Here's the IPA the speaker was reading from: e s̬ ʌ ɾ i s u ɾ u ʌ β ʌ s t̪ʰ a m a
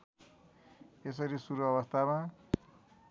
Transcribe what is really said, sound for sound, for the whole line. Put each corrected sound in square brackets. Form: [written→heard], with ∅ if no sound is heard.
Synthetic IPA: e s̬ ʌ ɾ i s u ɾ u ʌ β ʌ s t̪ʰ a m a